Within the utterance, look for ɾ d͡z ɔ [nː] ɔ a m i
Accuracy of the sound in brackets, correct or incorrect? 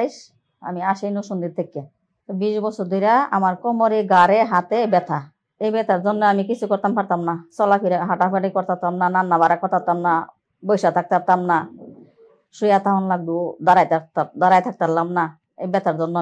correct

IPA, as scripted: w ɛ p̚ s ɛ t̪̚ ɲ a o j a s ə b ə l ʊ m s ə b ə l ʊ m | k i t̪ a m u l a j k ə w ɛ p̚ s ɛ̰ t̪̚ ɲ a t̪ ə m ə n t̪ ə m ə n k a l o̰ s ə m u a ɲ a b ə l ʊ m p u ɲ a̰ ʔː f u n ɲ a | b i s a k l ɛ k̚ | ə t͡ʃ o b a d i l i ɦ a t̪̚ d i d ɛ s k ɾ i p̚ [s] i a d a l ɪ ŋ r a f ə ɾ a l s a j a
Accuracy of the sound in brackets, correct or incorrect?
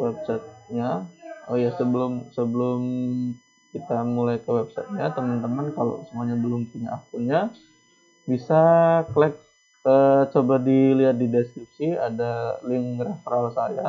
correct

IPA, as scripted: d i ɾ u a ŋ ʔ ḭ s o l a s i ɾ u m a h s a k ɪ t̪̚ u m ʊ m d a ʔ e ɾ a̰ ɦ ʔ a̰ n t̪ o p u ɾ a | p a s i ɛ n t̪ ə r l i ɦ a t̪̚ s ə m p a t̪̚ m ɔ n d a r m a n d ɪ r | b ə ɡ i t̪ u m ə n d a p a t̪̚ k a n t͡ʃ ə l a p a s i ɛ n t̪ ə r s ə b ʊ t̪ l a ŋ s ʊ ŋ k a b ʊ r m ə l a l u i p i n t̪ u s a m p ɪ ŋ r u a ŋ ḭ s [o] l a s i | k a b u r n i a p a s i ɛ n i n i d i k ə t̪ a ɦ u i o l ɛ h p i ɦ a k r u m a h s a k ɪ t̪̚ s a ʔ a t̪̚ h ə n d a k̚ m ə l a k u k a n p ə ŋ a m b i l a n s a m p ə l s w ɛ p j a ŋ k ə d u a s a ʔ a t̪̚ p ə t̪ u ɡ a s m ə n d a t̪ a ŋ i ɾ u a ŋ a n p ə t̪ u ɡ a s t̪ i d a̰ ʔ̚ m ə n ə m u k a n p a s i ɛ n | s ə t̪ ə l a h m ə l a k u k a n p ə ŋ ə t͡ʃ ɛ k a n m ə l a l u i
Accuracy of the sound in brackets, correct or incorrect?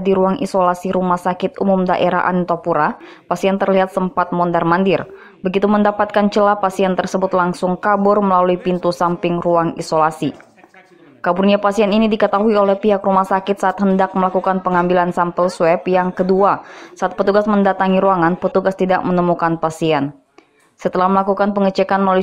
correct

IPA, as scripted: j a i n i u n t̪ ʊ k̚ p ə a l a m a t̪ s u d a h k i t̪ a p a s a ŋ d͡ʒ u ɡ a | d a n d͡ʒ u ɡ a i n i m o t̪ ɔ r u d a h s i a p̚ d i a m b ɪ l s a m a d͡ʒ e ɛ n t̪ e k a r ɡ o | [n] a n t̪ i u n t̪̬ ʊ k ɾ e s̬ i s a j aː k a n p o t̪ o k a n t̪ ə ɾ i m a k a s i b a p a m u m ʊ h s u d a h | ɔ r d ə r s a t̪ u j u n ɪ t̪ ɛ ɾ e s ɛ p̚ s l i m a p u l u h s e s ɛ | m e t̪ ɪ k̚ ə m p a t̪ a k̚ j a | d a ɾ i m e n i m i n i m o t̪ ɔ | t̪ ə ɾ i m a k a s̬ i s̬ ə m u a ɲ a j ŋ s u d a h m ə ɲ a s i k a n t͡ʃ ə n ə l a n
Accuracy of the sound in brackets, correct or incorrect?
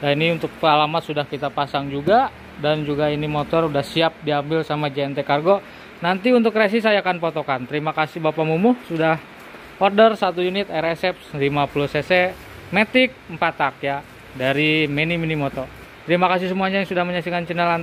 correct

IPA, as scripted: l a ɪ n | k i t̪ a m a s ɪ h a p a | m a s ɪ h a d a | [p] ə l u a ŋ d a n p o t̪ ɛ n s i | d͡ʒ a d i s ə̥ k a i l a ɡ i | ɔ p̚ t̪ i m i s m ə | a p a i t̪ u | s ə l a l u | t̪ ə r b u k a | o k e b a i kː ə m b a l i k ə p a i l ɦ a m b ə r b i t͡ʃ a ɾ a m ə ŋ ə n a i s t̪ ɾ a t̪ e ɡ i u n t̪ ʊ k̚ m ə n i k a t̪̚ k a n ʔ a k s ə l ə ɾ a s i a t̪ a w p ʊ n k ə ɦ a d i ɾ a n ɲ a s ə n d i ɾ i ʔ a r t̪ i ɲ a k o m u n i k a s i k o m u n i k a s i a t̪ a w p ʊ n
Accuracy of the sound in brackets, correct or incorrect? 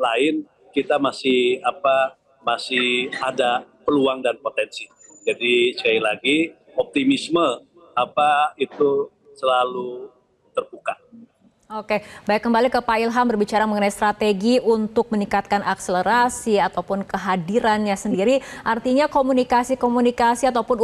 correct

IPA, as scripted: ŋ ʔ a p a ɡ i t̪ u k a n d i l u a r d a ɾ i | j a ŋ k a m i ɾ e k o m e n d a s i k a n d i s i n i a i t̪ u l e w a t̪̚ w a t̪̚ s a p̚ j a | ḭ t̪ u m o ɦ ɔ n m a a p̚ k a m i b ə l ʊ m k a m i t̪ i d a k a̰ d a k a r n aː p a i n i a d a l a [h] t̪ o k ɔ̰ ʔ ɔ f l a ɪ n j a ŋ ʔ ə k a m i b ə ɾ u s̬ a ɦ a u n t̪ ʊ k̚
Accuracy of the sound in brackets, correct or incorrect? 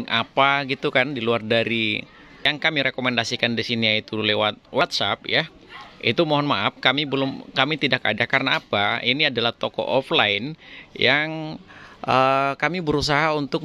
correct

